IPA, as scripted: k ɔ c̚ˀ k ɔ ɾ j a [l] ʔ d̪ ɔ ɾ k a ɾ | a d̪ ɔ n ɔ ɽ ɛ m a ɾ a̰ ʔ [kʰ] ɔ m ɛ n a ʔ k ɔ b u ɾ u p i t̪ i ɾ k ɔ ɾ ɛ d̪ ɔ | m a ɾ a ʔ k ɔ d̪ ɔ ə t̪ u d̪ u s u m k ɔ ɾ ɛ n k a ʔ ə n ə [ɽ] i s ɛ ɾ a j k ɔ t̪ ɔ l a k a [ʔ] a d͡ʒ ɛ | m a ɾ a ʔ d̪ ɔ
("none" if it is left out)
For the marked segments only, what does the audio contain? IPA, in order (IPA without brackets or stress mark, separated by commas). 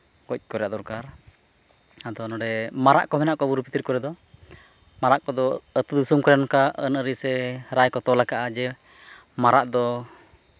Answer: none, k, ɾ, ʔ